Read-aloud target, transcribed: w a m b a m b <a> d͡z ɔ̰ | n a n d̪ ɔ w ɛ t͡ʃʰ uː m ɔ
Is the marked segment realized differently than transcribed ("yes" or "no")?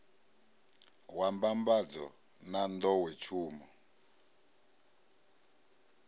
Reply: no